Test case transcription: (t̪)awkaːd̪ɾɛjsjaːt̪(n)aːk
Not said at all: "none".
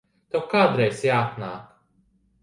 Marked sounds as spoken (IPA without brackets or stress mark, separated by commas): t̪, n